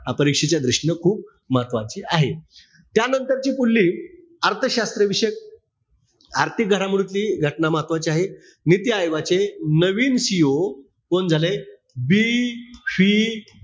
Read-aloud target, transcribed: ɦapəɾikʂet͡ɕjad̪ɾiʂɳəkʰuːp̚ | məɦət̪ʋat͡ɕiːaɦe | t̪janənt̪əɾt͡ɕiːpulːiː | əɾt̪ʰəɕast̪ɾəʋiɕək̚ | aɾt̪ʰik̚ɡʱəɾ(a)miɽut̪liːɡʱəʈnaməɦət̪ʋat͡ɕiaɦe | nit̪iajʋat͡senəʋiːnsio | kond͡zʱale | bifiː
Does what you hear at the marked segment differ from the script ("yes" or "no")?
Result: no